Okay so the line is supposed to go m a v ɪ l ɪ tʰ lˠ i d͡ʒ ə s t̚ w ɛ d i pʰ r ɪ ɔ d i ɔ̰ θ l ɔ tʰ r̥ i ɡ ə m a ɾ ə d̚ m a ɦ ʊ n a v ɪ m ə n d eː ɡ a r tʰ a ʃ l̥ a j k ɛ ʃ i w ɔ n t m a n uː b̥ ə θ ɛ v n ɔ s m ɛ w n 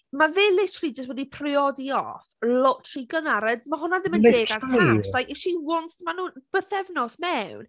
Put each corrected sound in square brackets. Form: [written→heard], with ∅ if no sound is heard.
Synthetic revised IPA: m a v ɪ l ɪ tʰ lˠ i d͡ʒ ə s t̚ w ɛ d i pʰ r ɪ ɔ d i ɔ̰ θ l ɔ tʰ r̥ i ɡ ə [m→n] a ɾ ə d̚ m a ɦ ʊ n a [v→ð] ɪ m ə n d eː ɡ a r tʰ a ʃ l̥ a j k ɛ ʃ i w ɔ n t m a n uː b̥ ə θ ɛ v n ɔ s m ɛ w n